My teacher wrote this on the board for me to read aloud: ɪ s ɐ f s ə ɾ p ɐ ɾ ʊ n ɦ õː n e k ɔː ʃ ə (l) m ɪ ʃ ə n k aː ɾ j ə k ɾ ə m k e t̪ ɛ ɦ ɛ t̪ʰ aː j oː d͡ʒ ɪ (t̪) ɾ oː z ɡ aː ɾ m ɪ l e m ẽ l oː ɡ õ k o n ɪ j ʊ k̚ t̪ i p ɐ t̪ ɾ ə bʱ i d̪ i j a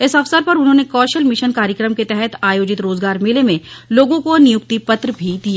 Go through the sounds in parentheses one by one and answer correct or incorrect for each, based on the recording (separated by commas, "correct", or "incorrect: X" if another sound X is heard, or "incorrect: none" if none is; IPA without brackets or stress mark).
correct, correct